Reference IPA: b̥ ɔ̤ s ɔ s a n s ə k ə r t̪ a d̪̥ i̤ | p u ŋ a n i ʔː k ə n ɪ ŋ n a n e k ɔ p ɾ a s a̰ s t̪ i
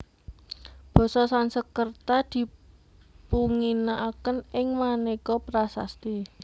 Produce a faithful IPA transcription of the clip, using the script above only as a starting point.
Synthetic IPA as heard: b̥ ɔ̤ s ɔ s a n s ə k ə r t̪ a d̪̥ i̤ | p u ŋ i n a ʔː k ə n ɪ ŋ m a n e k ɔ p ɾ a s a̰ s t̪ i